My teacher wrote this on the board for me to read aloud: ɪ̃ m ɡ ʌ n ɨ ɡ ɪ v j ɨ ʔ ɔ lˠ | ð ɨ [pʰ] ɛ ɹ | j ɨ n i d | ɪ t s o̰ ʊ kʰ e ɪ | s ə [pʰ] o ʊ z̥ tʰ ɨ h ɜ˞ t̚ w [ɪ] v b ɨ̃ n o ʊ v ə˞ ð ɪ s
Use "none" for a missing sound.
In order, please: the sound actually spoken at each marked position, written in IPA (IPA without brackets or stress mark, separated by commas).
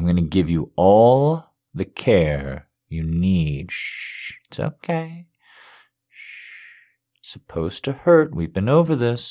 kʰ, pʰ, i